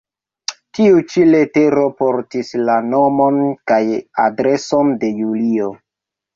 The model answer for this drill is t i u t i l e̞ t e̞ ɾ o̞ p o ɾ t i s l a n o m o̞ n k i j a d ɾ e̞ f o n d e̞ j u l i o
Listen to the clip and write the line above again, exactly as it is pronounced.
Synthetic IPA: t i u t͡ʃ i l e̞ t e̞ ɾ o̞ p o ɾ t i s l a n o m o̞ n k a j a d ɾ e̞ s o n d e̞ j u l i o